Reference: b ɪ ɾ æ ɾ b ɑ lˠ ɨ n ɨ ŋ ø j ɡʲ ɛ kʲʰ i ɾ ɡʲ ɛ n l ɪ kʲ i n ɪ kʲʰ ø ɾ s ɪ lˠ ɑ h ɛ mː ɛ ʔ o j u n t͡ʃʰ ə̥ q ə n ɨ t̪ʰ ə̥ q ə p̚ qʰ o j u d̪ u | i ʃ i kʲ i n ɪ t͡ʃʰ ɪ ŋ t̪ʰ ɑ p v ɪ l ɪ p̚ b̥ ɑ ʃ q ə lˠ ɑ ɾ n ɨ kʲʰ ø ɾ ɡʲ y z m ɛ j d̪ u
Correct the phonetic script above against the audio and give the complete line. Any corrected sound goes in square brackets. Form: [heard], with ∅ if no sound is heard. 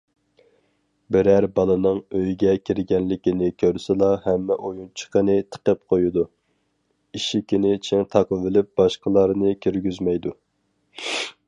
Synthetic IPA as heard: b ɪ ɾ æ ɾ b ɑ lˠ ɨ n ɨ ŋ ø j ɡʲ ɛ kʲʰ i ɾ ɡʲ ɛ n l ɪ kʲ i n ɪ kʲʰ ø ɾ s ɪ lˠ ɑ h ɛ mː ɛ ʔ o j u n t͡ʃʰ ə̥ q ə n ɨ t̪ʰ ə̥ q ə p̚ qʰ o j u d̪ u | i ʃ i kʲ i n ɪ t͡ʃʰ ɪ ŋ t̪ʰ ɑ [q] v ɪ l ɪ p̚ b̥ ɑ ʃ q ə lˠ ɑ ɾ n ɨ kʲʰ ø ɾ ɡʲ y z m ɛ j d̪ u